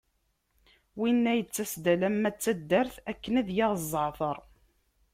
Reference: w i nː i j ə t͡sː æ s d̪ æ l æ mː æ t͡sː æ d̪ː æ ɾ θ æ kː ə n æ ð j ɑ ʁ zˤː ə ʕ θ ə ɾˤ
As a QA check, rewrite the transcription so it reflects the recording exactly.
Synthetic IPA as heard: w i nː æ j ə t͡sː æ s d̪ æ l æ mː æ t͡sː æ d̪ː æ ɾ θ æ kː ə n æ ð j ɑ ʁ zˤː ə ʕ θ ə ɾˤ